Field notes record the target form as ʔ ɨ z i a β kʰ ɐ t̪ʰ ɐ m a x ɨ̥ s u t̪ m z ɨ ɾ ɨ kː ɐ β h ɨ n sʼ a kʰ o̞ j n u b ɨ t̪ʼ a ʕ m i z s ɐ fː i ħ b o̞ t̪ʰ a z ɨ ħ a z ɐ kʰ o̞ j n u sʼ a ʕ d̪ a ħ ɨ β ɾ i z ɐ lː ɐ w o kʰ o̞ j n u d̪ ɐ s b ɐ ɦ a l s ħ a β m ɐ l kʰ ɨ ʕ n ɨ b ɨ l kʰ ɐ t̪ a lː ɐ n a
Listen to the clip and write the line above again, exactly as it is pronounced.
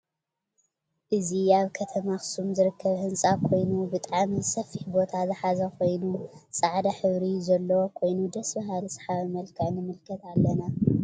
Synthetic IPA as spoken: ʔ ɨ z i a β kʰ ɐ t̪ʰ ɐ m a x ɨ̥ s u m z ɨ ɾ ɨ kː ɐ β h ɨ n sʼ a kʰ o̞ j n u b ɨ t̪ʼ a ʕ m i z s ɐ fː i ħ b o̞ t̪ʰ a z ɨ ħ a z ɐ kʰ o̞ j n u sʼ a ʕ d̪ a ħ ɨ β ɾ i z ɐ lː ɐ w o kʰ o̞ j n u d̪ ɐ s b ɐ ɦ a l s ħ a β m ɐ l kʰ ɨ ʕ n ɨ m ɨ l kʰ ɐ t̪ a lː ɐ n a